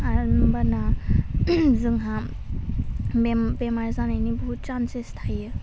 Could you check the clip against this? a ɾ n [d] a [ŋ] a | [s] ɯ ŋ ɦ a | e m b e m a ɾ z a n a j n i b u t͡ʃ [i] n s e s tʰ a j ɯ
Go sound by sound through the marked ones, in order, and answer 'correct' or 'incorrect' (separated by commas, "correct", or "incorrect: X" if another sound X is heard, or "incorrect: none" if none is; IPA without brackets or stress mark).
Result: incorrect: b, incorrect: n, incorrect: z, incorrect: a